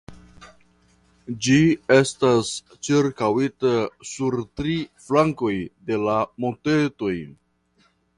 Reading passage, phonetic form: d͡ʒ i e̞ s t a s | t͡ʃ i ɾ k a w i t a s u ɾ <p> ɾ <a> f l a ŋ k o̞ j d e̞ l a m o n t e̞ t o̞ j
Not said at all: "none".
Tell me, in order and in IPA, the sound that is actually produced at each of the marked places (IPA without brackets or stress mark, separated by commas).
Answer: t, i